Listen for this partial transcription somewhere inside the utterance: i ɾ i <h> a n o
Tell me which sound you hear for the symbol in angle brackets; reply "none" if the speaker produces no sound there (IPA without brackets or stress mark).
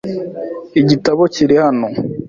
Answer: h